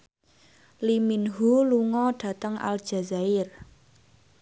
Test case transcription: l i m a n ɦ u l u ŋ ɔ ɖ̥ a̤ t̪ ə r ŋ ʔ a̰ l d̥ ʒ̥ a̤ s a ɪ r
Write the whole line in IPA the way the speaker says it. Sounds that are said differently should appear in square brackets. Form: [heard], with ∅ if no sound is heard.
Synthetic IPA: l i m [i] n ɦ u l u ŋ ɔ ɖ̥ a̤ t̪ ə [∅] ŋ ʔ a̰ l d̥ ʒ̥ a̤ [z] a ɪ r